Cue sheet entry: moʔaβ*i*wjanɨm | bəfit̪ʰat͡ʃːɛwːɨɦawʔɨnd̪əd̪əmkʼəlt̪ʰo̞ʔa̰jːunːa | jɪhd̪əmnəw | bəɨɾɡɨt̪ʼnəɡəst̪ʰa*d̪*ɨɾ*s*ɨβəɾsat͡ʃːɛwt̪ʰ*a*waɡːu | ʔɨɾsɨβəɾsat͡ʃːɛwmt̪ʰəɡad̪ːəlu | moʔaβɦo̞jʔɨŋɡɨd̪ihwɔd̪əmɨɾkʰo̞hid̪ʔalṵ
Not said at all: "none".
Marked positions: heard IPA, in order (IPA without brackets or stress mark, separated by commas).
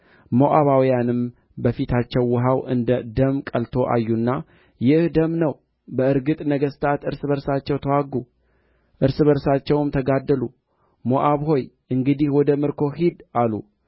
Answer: a, t̪, s, ə